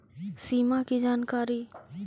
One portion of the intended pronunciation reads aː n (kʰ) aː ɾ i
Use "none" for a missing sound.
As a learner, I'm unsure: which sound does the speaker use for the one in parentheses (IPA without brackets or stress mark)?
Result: k